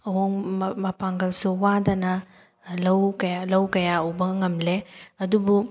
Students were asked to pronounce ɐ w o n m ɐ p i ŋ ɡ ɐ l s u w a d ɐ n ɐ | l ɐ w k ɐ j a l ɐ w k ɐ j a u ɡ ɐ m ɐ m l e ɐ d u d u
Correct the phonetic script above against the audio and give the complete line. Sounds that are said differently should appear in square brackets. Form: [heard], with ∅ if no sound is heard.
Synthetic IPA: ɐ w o [ŋ] m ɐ p [a] ŋ ɡ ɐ l s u w a d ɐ n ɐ | l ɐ w k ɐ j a l ɐ w k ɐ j a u [b] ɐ [ŋ] ɐ m l e ɐ d u [b] u